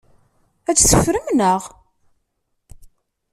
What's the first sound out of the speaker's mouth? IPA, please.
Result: æ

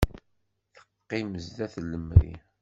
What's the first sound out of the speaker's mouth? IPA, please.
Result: θ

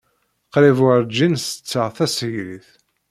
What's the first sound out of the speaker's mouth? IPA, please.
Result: q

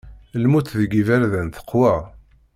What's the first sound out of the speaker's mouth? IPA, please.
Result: l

